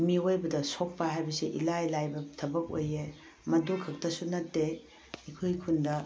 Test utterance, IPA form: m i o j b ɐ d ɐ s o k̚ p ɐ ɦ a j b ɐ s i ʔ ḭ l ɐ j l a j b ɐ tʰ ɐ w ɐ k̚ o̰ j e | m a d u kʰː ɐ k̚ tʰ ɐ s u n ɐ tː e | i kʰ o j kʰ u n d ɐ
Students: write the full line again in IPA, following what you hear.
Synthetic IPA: m i o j b ɐ d ɐ s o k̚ p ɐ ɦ a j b ɐ s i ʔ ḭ l a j l a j b ɐ tʰ ɐ b ɐ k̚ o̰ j e | m ɐ d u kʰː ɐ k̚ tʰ ɐ s u n ɐ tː e | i kʰ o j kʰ u n d ɐ

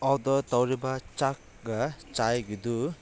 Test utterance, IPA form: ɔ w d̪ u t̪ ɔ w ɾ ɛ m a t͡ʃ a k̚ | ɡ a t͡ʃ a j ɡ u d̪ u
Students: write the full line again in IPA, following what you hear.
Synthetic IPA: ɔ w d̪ ɔ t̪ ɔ w ɾ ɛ b a t͡ʃ a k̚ | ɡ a t͡ʃ a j ɡ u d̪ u

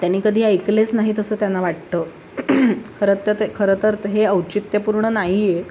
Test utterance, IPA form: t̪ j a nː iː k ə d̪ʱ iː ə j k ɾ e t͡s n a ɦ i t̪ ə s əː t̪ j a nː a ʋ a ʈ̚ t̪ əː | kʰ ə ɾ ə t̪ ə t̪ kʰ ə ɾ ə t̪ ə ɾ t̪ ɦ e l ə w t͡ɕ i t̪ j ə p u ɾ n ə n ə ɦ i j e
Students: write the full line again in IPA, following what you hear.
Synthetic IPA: t̪ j a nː iː k ə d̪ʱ iː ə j k l e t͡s n a ɦ i t̪ ə s əː t̪ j a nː a ʋ a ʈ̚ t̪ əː | kʰ ə ɾ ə t̪ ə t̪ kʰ ə ɾ ə t̪ ə ɾ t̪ ɦ e ə w t͡ɕ i t̪ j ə p u ɾ ɳ ə n a ɦ i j e

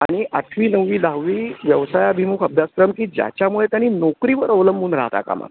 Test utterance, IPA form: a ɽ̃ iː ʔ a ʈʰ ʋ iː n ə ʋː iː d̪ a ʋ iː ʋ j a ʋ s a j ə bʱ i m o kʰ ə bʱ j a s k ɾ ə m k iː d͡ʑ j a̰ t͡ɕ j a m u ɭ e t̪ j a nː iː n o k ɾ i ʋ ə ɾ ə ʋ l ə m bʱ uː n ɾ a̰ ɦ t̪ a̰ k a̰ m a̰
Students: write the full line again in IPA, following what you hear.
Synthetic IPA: a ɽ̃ i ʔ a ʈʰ ʋ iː n ə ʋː iː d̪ a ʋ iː ʋ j ə ʋ s a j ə bʱ i m u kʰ ə bʱ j a s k ɾ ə m k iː d͡ʑ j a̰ t͡ɕ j a m u ɭ e t̪ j a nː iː n o k ɾ i ʋ ə ɾ ə ʋ l ə m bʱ uː n ɾ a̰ ɦ t̪ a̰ k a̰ m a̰

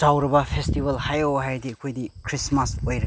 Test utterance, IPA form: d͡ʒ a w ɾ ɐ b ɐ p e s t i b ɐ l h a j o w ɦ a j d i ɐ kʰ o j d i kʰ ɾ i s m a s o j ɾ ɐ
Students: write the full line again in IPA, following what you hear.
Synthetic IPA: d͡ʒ a w ɾ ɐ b ɐ pʰ e s t i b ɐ l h a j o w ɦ a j d i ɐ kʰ o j d i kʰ ɾ i s m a s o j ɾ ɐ

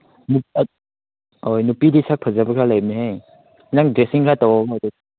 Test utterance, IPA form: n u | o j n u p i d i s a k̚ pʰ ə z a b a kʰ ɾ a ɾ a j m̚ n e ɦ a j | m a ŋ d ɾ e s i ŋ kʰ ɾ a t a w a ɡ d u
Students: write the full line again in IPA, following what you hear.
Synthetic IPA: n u | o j n u p i d i s a k̚ pʰ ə z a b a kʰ ɾ a l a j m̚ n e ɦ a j | n a ŋ d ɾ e s i ŋ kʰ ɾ a t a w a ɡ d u

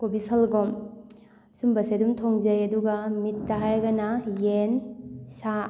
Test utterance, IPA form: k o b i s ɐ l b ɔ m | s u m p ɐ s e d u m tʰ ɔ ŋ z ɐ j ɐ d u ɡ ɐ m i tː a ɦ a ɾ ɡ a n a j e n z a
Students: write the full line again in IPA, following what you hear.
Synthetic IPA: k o b i s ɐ l ɡ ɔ m | s u m b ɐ s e d u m tʰ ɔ ŋ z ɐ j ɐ d u ɡ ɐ m i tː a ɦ a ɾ ɡ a n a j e n s a

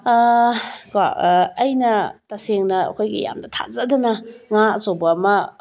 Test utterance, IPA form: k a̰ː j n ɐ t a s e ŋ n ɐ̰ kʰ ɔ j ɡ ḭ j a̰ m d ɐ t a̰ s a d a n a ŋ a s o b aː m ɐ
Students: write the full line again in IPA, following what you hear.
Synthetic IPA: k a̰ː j n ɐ t a s e ŋ n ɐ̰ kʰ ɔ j ɡ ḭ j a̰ m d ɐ tʰ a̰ z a d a n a ŋ a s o b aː m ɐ

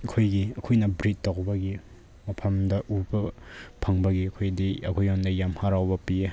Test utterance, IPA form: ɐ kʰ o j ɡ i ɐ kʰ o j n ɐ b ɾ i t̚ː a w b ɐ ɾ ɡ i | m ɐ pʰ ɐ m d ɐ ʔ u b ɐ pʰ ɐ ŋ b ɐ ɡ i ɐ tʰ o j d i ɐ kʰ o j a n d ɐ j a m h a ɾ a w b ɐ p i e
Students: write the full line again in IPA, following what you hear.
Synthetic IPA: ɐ kʰ o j ɡ i ɐ kʰ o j n ɐ b ɾ i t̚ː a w b ɐ ɡ i | m ɐ pʰ ɐ m d ɐ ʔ u b ɐ pʰ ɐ ŋ b ɐ ɡ i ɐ kʰ o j d i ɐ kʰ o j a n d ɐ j a m h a ɾ a w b ɐ p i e

